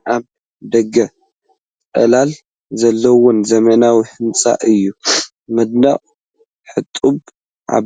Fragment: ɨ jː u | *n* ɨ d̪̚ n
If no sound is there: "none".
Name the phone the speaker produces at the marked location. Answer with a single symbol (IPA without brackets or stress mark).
m